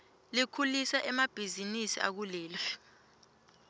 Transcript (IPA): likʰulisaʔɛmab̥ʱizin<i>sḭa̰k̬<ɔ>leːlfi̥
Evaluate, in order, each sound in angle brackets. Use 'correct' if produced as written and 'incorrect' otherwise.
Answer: correct, incorrect: u

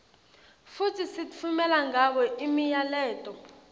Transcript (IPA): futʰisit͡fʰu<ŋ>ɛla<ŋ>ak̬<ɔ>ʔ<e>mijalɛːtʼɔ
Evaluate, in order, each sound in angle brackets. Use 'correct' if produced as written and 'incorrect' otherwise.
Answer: incorrect: m, correct, correct, incorrect: i

